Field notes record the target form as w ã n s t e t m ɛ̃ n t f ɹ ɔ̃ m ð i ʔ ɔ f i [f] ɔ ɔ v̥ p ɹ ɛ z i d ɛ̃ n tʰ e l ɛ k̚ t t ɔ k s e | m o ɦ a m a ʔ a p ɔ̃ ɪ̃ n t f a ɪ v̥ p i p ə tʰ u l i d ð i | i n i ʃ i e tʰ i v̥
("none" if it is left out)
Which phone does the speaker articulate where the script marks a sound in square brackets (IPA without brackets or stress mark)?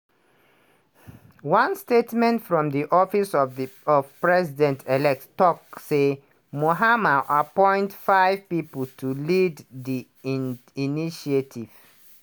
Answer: s